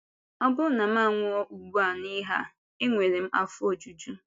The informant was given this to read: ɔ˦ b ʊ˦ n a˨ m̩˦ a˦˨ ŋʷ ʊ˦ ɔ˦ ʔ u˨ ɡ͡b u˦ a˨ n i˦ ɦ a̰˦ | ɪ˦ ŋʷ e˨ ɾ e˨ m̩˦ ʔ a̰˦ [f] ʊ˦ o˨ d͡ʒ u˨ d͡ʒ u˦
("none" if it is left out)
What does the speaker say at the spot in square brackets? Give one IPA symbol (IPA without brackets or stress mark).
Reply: f